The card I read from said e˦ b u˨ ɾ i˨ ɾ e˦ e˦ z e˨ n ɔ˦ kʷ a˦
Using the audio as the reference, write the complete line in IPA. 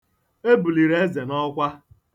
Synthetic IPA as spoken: e˦ b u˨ l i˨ ɾ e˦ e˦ z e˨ n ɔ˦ kʷ a˦